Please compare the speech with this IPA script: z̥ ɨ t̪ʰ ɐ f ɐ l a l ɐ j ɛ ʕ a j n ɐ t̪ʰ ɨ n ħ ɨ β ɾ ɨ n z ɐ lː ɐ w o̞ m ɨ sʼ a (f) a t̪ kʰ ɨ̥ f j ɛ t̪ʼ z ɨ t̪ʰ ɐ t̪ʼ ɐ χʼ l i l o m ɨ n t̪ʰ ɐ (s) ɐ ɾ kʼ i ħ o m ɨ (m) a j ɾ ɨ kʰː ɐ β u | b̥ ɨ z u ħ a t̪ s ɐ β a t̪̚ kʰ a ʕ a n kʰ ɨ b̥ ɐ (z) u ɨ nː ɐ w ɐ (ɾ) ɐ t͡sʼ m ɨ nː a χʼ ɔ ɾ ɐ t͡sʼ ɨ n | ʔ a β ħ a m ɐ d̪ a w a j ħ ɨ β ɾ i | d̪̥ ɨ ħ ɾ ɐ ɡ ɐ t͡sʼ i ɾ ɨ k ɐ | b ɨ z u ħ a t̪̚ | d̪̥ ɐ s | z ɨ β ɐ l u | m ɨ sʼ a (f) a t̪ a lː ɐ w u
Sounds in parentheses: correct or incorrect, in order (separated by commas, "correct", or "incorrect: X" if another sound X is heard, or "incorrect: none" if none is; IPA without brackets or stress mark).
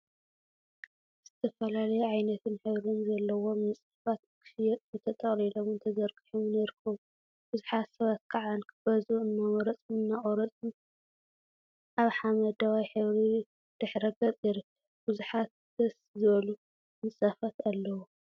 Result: correct, incorrect: z, incorrect: n, correct, correct, correct